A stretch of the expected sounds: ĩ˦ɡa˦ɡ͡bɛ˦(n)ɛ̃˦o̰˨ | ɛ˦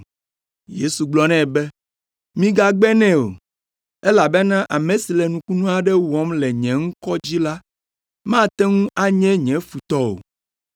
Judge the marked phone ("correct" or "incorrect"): correct